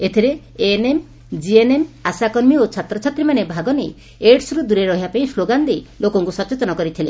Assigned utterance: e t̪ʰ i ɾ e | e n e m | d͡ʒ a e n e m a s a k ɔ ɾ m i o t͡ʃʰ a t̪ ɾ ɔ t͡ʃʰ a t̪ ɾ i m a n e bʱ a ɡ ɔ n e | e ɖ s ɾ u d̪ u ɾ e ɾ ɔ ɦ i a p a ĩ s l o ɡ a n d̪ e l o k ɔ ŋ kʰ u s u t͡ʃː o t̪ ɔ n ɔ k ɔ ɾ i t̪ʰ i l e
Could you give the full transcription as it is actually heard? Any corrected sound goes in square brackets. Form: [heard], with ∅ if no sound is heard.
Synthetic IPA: e t̪ʰ i ɾ e | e n e m | d͡ʒ [i] e n e m a s a k ɔ ɾ m i o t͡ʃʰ a t̪ ɾ ɔ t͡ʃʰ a t̪ ɾ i m a n e bʱ a ɡ ɔ n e | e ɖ s ɾ u d̪ u ɾ e ɾ ɔ ɦ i a p a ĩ s l o ɡ a n d̪ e l o k ɔ ŋ [k] u s [ɔ] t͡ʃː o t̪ ɔ n ɔ k ɔ ɾ i t̪ʰ i l e